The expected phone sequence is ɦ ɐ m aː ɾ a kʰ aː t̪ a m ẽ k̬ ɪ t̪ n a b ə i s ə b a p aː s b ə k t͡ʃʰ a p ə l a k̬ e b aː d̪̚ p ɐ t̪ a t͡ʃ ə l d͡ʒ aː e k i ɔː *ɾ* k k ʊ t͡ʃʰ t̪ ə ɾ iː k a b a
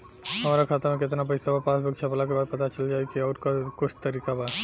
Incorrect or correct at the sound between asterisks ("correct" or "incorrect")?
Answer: correct